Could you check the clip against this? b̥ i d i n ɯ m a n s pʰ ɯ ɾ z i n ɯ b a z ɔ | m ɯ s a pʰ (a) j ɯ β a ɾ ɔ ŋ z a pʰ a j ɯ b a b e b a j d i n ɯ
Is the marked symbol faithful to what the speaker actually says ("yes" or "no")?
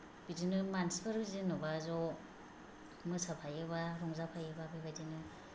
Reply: yes